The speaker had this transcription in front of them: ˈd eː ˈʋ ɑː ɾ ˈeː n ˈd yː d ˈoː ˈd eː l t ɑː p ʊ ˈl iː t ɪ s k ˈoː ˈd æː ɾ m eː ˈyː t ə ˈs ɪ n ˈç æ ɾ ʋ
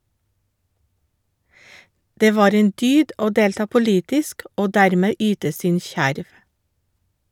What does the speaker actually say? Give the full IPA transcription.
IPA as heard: ˈd eː ˈʋ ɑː ɾ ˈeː n ˈd yː d ˈoː ˈd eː l t ɑː p ʊ ˈl iː t ɪ s k ˈoː ˈd æ ɾ m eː ˈyː t ə ˈs ɪ n ˈç æ ɾ ʋ